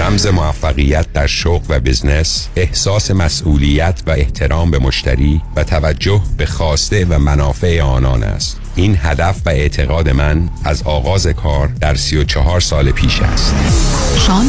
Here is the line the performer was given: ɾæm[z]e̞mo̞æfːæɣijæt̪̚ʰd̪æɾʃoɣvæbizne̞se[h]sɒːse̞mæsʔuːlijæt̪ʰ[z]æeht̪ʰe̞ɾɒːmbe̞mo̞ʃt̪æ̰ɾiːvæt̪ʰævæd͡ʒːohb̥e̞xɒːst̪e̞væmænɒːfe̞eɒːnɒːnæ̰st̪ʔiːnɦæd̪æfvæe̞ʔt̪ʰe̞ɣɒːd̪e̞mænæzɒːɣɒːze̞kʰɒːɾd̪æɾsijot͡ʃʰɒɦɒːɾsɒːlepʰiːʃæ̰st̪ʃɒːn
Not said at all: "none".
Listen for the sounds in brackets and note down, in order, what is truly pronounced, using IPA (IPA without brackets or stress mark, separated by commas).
z, h, v